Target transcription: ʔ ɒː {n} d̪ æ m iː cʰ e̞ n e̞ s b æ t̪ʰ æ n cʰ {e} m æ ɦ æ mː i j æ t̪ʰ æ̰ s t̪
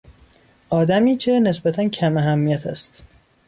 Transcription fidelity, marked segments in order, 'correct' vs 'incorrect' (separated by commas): incorrect, incorrect